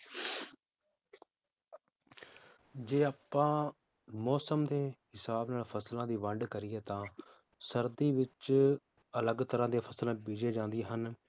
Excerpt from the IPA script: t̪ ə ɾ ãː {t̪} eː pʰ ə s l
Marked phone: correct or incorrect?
incorrect